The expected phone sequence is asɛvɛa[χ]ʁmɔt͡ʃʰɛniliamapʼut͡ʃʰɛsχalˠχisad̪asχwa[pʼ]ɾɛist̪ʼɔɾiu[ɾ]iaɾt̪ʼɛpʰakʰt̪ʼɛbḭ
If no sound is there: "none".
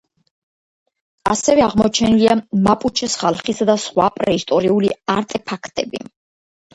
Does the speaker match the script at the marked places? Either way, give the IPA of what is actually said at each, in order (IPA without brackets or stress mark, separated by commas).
none, pʼ, l